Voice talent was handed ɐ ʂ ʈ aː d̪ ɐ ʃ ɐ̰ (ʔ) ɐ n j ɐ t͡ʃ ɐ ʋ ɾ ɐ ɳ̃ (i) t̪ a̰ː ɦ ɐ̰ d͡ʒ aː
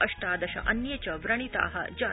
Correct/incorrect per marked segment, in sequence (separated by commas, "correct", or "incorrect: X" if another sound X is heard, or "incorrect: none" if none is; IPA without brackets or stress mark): correct, correct